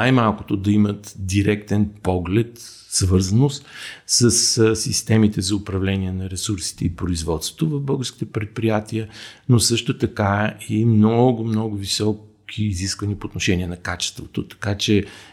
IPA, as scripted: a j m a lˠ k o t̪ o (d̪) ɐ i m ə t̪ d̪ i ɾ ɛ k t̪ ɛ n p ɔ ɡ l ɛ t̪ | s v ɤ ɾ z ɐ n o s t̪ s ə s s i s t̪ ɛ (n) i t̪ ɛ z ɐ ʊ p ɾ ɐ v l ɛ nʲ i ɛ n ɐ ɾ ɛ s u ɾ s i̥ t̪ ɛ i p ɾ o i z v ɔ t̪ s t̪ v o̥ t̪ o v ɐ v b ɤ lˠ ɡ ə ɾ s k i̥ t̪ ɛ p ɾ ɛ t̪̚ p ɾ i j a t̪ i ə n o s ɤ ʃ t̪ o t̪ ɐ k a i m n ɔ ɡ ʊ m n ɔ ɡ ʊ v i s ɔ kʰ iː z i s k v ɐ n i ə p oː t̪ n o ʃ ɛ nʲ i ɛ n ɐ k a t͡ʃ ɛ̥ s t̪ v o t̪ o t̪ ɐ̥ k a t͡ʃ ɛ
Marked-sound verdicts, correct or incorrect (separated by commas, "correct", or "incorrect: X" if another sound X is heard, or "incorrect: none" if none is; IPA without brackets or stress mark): correct, incorrect: m